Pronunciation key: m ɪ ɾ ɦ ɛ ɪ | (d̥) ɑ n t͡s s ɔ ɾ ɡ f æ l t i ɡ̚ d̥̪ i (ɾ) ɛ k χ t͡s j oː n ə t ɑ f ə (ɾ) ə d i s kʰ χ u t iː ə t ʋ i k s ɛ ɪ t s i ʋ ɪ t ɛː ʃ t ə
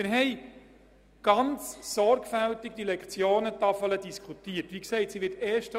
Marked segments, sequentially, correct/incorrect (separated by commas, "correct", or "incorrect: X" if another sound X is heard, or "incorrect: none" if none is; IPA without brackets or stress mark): incorrect: ɡ̥, incorrect: l, incorrect: l